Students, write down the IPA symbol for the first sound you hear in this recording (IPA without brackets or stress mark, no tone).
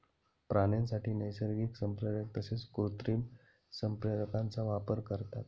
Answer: p